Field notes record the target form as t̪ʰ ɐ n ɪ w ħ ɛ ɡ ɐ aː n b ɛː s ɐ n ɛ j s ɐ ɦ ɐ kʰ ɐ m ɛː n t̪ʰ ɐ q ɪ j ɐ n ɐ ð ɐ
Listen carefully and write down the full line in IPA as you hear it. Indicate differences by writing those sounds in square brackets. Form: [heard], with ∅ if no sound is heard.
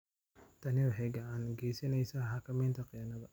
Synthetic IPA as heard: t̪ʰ ɐ n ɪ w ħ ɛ ɡ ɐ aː n [ɡ] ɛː s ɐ n ɛ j s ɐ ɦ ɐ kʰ ɐ m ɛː n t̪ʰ ɐ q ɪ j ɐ n ɐ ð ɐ